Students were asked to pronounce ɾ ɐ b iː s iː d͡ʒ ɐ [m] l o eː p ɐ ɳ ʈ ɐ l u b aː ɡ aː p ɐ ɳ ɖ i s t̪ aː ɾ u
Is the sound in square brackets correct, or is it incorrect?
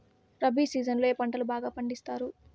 incorrect